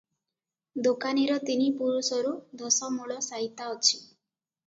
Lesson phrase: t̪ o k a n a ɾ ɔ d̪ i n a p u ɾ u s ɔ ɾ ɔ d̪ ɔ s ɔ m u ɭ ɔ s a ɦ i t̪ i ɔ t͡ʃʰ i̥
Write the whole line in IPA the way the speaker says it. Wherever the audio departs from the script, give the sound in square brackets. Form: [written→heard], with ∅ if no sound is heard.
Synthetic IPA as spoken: [t̪→d̪] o k a n [a→i] ɾ ɔ [d̪→t̪] i n [a→i] p u ɾ u s ɔ ɾ [ɔ→u] d̪ ɔ s ɔ m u ɭ ɔ s a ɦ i t̪ [i→a] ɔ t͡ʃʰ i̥

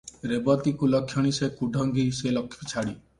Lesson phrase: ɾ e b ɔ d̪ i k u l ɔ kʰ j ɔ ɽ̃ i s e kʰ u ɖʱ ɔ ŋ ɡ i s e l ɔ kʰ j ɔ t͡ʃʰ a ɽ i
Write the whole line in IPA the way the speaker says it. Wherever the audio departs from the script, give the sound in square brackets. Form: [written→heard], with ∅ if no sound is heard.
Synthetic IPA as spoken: ɾ e b ɔ [d̪→t̪] i k u l ɔ kʰ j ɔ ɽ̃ i s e [kʰ→k] u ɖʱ ɔ ŋ ɡ i s e l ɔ kʰ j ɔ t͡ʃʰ a ɽ i

